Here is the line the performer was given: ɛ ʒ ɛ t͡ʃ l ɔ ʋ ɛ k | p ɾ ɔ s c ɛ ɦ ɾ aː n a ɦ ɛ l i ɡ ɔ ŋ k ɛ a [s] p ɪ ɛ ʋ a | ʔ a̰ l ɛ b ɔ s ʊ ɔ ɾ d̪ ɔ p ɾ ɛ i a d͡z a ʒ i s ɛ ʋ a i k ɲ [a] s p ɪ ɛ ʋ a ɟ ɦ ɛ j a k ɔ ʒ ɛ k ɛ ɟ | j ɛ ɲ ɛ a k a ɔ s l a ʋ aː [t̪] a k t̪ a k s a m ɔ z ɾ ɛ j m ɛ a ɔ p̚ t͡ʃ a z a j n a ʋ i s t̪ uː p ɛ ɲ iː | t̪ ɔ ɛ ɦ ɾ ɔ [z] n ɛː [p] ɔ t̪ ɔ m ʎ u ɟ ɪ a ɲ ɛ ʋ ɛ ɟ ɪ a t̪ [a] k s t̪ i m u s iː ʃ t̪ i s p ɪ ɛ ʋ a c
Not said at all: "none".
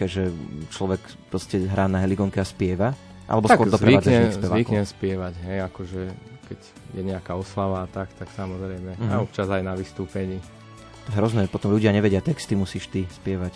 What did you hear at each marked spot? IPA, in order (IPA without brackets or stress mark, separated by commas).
s, ɛ, t̪, z, p, ɛ